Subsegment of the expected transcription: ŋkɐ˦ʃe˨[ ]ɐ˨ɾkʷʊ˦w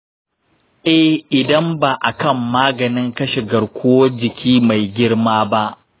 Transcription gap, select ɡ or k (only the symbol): ɡ